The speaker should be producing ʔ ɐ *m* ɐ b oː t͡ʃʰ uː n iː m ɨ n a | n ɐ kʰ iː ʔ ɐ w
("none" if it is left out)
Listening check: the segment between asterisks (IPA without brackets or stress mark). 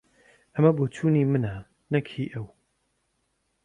m